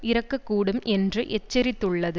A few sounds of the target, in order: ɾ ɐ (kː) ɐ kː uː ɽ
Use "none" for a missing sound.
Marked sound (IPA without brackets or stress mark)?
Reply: kː